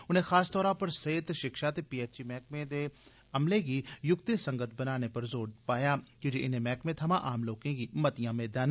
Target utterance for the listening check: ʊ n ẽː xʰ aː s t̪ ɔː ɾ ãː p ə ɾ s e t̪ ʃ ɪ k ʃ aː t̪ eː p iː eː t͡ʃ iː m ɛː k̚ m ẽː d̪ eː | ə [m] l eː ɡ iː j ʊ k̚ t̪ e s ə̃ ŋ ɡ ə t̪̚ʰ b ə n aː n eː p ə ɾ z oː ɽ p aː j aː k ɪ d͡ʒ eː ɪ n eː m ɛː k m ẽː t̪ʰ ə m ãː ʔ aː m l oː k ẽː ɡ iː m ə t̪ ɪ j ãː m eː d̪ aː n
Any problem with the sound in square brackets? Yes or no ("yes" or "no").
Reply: no